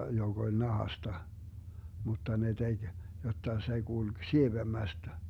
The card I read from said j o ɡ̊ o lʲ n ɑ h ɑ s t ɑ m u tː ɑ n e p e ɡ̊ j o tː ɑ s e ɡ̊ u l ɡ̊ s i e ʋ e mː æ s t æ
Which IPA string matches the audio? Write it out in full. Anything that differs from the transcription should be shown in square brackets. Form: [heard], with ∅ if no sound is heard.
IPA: j o ɡ̊ o lʲ n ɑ h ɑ s t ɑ m u tː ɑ n e [t] e ɡ̊ j o tː ɑ s e ɡ̊ u l ɡ̊ s i e ʋ e mː æ s t æ

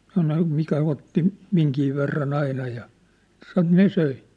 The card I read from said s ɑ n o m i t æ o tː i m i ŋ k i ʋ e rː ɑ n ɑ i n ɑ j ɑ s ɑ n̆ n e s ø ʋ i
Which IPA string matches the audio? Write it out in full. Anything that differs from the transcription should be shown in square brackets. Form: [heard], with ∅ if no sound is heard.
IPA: s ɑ n o m i [k] æ o tː i m i ŋ k i ʋ e rː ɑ n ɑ i n ɑ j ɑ s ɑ n̆ n e s ø [∅] i

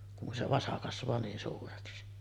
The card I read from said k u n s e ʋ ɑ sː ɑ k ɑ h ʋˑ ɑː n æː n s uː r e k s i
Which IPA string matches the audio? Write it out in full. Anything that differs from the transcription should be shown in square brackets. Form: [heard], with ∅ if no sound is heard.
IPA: k u n s e ʋ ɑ [s] ɑ k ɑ [s] ʋˑ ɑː n [iː] n s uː r e k s i

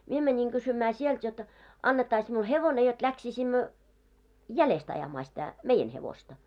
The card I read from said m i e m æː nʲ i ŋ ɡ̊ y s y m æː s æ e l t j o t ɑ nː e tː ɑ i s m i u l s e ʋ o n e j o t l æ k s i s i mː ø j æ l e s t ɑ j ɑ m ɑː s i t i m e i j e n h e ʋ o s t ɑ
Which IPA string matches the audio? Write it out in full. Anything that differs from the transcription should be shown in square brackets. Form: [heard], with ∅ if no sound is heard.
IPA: m i e m [æ] nʲ i ŋ ɡ̊ y s y m æː s [i] e l t j o t ɑ nː e tː ɑ i s m i u l [h] e ʋ o n e j o t l æ k s i s i mː ø j æ l e s t ɑ j ɑ m ɑː s i t [æ] m e i j e n h e ʋ o s t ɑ

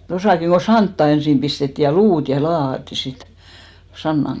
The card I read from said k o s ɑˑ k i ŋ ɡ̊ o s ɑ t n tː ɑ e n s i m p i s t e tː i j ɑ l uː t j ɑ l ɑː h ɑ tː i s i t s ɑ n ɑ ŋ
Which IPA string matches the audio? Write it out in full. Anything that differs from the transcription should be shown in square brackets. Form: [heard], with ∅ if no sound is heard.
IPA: [t] o s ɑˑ k i ŋ ɡ̊ o s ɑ [∅] n tː ɑ e n s i m p i s t e tː i j ɑ l uː t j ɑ l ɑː h ɑ tː i s i t s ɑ [nː] ɑ ŋ

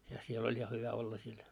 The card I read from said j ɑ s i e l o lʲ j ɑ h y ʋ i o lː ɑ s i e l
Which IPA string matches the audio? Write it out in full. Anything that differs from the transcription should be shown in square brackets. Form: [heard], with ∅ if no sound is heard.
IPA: j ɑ s i e l o lʲ j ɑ h y ʋ [æ] o lː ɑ s i e l

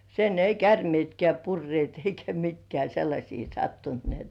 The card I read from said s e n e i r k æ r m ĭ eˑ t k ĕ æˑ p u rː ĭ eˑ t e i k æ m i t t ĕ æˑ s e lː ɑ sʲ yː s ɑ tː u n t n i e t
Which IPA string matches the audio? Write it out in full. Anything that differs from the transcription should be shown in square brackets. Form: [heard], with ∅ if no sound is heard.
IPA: s e n e i [∅] k æ r m ĭ eˑ t k ĕ æˑ p u rː ĭ eˑ t e i k æ m i t [k] ĕ æˑ s e lː ɑ sʲ [iː] s ɑ tː u n t n i e t

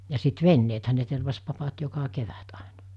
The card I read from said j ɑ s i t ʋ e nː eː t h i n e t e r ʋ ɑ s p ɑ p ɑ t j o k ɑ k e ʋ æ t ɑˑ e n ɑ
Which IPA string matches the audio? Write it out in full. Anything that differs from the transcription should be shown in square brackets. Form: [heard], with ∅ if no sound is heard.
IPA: j ɑ s i t ʋ e nː eː t h [æ] n e t e r ʋ ɑ s p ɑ p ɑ t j o k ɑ k e ʋ æ t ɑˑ e n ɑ

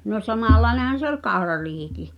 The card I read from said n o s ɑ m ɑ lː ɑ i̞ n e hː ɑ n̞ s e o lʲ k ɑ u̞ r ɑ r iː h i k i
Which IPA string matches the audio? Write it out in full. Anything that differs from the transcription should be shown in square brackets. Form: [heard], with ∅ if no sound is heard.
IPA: n o s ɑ m ɑ lː ɑ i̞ n e [h] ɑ n̞ s e o lʲ k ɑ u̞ r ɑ r iː h i k i

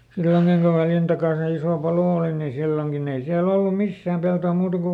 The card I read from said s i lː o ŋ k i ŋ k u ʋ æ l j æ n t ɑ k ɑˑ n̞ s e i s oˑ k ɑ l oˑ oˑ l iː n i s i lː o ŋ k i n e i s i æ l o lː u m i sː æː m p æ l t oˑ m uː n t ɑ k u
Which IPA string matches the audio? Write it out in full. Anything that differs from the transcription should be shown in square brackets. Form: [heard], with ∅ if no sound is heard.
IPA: s i lː o ŋ k i ŋ k u ʋ æ l j æ n t ɑ k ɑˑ n̞ s e i s oˑ [p] ɑ l oˑ oˑ l [i] n i s i lː o ŋ k i n e i s i æ l o lː u m i sː æː m p [e] l t oˑ m uː [∅] t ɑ k u

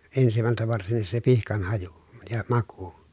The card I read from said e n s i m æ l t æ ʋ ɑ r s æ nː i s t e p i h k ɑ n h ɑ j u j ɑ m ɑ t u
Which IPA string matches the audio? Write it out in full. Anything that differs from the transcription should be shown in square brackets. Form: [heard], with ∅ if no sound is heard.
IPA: e n s i m æ l t æ ʋ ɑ r s [i] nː i s [s] e p i h k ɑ n h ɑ j u j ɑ m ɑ [k] u

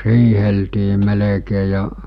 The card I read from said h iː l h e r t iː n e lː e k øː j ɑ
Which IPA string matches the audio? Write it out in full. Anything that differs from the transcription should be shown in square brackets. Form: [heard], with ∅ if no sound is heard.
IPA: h iː [∅] h e [l] t iː [m] e [l] e k [eː] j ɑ

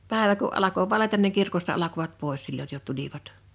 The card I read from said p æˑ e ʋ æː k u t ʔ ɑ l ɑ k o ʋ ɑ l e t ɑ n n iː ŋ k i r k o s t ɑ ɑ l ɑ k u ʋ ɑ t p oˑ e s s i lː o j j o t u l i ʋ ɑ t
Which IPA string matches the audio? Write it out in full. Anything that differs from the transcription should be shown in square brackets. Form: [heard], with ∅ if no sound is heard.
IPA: p æˑ e ʋ [æ] k u [ʔ] ʔ ɑ l ɑ k o ʋ ɑ l e t ɑ n n [i] ŋ k i r k o s t ɑ ɑ l ɑ k [o] ʋ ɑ t p oˑ e s s i lː o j j o t u l i ʋ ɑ t

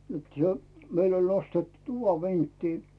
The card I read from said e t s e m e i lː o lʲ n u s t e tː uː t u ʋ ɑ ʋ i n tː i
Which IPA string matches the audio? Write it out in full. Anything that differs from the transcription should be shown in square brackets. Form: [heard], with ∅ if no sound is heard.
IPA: e t s e m e i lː o lʲ n [o] s t e tː [u] t u ʋ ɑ ʋ i n tː [iː]

